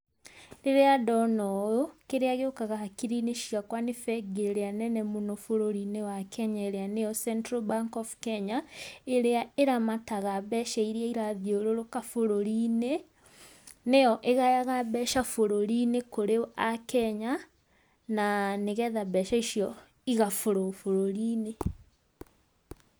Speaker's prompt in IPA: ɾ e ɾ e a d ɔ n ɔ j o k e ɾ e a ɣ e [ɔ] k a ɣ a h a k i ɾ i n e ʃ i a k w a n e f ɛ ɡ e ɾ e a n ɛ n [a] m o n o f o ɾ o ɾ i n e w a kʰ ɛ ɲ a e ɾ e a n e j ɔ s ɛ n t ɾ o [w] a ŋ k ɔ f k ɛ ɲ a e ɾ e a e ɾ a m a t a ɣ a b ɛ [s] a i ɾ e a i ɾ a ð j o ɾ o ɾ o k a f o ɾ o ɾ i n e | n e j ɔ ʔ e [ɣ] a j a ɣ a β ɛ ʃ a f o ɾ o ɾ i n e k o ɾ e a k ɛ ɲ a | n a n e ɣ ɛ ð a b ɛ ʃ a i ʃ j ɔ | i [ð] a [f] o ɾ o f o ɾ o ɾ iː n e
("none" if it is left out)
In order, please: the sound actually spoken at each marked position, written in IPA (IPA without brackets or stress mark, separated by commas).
o, ɛ, b, ʃ, ɣ, ɣ, f